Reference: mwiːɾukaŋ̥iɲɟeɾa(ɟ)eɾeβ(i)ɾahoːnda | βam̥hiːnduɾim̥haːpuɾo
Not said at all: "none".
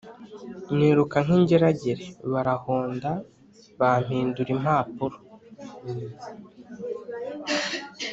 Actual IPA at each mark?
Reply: ɟ, a

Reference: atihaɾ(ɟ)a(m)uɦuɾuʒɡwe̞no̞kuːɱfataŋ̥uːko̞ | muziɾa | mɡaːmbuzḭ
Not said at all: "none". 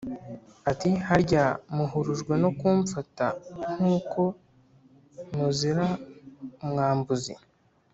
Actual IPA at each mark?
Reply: ɟ, m

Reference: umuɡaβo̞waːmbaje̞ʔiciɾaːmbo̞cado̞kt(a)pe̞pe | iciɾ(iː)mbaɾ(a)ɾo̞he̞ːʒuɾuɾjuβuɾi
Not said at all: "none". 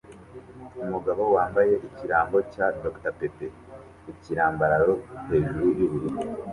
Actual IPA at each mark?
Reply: a, aː, a

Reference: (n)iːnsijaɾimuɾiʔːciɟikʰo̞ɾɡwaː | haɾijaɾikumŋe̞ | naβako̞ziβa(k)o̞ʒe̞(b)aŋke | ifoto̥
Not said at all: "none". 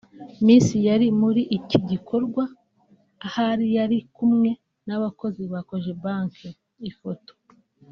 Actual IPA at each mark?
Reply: m, k, b

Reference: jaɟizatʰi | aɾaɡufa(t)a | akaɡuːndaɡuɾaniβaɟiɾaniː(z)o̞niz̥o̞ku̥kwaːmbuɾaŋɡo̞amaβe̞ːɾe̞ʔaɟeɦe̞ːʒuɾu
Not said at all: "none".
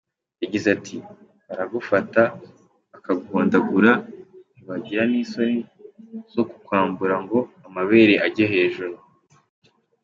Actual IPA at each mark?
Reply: t, s

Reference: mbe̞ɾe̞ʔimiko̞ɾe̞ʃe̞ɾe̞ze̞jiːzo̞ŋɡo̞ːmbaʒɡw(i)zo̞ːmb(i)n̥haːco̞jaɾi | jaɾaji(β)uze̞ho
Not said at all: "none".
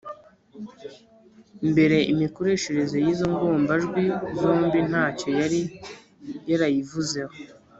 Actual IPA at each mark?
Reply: i, i, v

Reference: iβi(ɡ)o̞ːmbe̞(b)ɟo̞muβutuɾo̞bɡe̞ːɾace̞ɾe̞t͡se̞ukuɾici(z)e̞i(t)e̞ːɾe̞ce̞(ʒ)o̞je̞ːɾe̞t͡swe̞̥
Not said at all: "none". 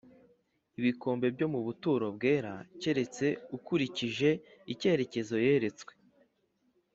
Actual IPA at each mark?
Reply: k, b, ʒ, c, z

